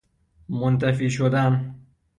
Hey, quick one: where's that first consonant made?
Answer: lips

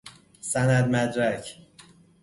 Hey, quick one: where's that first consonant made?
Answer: tongue tip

